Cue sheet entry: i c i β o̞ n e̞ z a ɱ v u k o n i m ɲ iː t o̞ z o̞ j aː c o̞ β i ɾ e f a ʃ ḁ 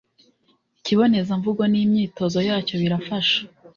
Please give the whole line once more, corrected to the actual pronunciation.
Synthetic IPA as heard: i c i β o̞ n e̞ z a ɱ v u ɡ o n i m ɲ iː t o̞ z o̞ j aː c o̞ β i ɾ a f a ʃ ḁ